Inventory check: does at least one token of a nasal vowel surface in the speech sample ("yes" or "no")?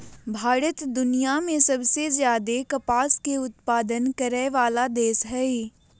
yes